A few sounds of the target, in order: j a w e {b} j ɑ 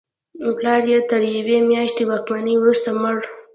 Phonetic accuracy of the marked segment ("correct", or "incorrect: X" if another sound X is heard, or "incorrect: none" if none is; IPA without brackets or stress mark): incorrect: m